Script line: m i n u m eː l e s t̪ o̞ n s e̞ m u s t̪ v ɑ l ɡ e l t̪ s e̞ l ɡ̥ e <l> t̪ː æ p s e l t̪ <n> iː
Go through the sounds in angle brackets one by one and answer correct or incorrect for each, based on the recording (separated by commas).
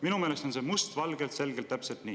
correct, correct